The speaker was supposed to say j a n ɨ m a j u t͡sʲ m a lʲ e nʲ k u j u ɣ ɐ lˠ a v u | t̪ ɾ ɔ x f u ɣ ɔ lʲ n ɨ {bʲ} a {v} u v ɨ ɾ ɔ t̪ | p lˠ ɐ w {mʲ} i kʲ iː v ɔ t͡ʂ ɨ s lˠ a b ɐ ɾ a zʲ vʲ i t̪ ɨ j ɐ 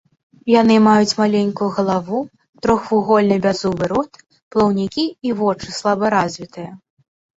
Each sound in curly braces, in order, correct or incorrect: correct, incorrect, incorrect

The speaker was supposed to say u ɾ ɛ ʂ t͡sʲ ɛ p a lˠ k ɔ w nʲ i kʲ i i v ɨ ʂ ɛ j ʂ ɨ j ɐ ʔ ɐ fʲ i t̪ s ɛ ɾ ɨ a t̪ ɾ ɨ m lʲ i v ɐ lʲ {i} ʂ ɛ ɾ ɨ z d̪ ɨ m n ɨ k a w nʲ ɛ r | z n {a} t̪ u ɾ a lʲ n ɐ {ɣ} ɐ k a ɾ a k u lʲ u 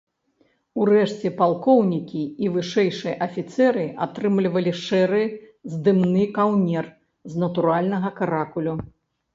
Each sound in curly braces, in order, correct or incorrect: correct, incorrect, correct

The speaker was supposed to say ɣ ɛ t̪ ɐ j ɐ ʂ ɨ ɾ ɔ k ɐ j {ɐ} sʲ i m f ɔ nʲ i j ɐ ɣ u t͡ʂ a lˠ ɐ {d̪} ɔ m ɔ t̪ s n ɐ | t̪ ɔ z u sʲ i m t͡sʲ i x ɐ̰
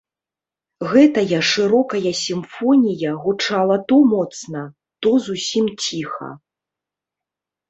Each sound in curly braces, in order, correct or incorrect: correct, incorrect

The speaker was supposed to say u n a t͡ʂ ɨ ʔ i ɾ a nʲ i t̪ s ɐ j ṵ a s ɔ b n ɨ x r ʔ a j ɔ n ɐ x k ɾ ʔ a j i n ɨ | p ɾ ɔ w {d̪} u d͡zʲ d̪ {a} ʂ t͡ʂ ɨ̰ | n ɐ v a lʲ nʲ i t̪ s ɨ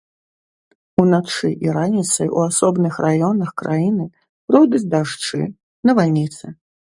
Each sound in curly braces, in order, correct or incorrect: correct, correct

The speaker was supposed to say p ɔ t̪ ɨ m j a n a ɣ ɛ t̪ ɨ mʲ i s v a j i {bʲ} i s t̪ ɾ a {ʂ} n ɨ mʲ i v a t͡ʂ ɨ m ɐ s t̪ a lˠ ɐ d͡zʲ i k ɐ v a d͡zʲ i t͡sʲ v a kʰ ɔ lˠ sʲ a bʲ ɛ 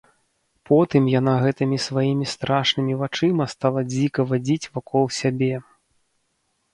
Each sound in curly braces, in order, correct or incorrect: incorrect, correct

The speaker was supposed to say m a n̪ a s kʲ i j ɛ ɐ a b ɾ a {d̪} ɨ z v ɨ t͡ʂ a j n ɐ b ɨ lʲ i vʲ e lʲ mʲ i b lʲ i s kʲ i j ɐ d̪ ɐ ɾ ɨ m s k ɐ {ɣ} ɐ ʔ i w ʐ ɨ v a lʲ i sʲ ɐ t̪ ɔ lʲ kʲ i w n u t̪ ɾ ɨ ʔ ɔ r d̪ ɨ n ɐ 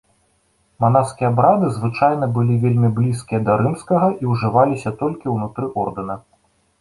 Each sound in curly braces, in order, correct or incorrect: correct, correct

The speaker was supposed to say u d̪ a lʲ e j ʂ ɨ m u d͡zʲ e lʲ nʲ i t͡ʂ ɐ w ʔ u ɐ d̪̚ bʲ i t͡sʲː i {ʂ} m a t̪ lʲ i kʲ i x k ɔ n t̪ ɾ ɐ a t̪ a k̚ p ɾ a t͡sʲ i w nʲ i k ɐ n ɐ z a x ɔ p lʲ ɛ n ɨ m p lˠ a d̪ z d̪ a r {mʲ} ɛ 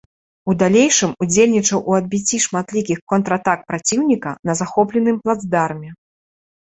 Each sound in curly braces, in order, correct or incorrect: correct, correct

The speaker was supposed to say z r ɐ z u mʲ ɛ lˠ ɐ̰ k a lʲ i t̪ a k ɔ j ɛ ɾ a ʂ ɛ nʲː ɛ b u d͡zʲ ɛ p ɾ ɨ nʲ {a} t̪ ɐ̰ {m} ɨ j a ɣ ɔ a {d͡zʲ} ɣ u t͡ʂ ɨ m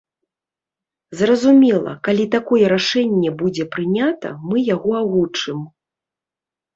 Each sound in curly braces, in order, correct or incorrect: correct, correct, incorrect

